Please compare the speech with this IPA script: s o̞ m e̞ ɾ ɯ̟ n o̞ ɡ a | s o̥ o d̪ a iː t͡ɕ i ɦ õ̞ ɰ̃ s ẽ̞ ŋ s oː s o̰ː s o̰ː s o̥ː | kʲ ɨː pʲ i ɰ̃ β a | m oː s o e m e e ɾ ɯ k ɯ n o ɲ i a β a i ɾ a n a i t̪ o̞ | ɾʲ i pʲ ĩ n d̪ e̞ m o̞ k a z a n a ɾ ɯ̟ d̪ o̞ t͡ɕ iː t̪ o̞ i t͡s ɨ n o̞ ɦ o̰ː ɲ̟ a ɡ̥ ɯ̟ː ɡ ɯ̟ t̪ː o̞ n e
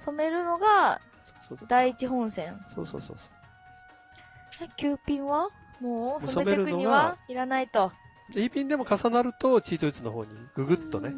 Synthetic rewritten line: s o̞ m e̞ ɾ ɯ̟ n o̞ ɡ a | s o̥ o d̪ a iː t͡ɕ i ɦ õ̞ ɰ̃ s ẽ̞ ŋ s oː s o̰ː s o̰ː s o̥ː | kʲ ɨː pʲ ĩ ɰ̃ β a | m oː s o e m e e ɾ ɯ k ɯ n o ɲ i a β a i ɾ a n a i t̪ o̞ | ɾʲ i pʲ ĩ n d̪ e̞ m o̞ k a s a n a ɾ ɯ̟ t̪ o̞ t͡ɕ iː t̪ o̞ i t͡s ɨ n o̞ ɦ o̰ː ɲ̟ i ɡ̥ ɯ̟ ɡ ɯ̟ t̪ː o̞ n e